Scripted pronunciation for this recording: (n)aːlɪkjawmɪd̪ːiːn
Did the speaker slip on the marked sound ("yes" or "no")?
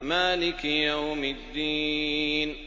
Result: yes